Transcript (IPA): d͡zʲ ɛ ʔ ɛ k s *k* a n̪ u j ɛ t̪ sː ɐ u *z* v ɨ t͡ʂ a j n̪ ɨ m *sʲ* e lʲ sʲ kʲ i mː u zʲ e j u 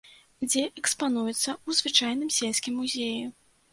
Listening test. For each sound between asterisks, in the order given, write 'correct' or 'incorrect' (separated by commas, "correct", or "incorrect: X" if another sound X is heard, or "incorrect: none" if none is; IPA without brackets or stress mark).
incorrect: p, correct, correct